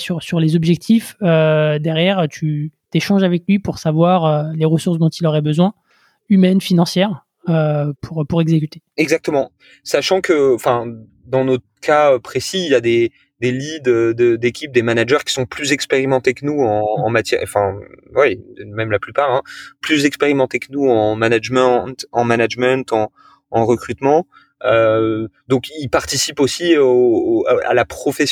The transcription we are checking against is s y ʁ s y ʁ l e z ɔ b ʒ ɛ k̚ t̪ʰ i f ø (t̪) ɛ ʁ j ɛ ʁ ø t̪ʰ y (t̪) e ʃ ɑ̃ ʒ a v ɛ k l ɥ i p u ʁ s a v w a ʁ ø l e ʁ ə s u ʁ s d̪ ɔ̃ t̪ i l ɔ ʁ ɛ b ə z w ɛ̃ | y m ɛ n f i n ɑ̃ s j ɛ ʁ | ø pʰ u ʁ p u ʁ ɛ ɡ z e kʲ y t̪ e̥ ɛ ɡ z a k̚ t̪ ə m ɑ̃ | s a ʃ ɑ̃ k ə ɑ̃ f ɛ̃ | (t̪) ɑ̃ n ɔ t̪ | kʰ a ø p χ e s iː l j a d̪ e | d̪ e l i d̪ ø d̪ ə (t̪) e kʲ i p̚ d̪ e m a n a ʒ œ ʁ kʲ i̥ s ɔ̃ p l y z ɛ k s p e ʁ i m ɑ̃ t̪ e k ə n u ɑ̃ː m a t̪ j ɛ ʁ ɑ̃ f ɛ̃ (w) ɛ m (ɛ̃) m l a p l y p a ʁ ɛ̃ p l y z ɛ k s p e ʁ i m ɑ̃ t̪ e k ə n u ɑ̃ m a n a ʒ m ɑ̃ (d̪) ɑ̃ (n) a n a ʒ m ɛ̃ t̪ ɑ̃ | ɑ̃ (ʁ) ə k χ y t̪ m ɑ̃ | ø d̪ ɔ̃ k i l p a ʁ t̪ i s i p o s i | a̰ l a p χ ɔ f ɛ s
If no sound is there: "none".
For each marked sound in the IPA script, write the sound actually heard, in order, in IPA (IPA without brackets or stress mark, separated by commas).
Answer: d̪, t̪, d̪, d̪, w, ɛ, t̪, m, ʁ